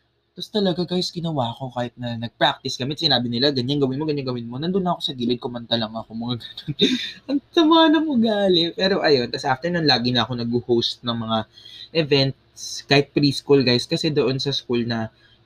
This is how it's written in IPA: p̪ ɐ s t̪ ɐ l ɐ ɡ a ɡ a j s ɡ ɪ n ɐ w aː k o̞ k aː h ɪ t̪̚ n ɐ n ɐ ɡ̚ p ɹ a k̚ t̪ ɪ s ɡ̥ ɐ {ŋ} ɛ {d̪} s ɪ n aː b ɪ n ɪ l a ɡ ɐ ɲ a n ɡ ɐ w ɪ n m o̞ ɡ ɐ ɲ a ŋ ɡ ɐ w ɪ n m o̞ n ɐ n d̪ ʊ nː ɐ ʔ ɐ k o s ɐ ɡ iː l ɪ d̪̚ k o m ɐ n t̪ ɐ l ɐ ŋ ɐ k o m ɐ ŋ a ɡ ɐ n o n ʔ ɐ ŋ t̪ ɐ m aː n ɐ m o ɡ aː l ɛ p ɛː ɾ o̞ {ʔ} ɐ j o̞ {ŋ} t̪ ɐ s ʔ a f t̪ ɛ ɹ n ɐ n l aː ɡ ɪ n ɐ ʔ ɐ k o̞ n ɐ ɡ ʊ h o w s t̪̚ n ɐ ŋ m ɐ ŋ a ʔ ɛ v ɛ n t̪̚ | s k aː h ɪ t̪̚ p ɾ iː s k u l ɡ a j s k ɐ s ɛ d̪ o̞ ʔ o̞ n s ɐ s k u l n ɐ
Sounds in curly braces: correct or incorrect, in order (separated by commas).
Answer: incorrect, incorrect, correct, incorrect